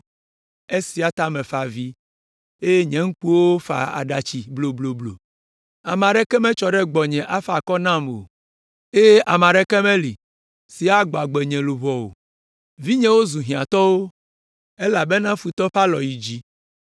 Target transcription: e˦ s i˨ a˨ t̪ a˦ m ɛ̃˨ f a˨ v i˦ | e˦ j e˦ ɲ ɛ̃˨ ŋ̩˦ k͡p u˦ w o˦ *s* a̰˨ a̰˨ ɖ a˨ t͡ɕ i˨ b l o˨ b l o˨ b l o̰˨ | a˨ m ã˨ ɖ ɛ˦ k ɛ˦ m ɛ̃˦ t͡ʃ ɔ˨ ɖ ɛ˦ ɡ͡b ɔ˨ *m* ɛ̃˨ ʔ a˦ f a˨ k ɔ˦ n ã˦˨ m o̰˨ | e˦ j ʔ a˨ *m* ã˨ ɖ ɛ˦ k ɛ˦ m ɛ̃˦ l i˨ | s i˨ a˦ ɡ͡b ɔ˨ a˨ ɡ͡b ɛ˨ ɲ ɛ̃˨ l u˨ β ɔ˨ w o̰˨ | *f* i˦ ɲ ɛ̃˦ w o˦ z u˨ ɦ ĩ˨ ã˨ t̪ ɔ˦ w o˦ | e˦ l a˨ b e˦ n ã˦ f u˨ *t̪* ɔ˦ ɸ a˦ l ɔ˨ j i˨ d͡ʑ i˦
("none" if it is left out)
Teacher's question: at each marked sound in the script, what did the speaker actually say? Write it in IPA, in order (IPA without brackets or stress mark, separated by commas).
f, ɲ, m, v, t̪